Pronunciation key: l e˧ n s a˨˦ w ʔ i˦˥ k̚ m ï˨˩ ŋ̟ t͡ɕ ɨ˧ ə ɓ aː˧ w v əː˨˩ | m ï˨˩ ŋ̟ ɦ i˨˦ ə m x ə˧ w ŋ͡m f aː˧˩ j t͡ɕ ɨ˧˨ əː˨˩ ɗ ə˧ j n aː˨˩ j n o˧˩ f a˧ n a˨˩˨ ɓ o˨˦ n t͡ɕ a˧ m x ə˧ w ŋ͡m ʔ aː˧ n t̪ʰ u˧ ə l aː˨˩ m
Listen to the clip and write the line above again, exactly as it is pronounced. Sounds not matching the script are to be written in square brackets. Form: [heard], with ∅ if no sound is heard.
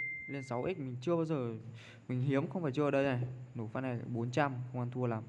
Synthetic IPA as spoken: l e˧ n s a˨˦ w ʔ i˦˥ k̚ m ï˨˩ ŋ̟ t͡ɕ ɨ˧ ə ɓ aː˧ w [z] əː˨˩ | m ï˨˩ ŋ̟ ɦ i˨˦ ə m x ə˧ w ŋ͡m f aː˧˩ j t͡ɕ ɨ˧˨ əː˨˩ ɗ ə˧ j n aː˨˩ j n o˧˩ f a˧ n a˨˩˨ ɓ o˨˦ n t͡ɕ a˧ m x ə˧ w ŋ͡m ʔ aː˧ n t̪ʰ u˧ ə l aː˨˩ m